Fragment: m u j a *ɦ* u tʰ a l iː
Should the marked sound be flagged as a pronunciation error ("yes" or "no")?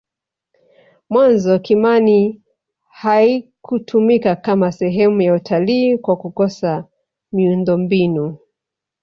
yes